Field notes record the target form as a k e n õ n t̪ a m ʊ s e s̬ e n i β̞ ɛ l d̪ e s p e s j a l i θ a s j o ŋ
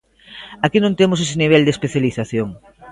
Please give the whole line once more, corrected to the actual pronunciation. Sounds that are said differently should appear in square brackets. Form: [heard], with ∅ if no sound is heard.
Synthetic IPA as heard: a k [i] n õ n t̪ [e] m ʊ s e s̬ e n i β̞ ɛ l d̪ e s p e [θ] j a l i θ a [θ] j o ŋ